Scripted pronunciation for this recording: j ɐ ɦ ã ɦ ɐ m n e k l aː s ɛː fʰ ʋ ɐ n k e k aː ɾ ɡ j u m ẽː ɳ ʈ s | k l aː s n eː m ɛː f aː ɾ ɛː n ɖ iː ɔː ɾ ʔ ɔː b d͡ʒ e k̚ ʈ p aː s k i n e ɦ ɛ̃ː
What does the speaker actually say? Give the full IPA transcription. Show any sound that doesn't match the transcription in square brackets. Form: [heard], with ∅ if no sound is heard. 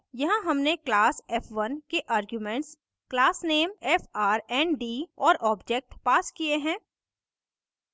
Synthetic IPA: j ɐ ɦ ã ɦ ɐ m n e k l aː s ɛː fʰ ʋ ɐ n k e [ʔ] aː ɾ ɡ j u m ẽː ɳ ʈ s | k l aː s n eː m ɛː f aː ɾ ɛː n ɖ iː ɔː ɾ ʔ ɔː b d͡ʒ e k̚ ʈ p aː s k i [∅] e ɦ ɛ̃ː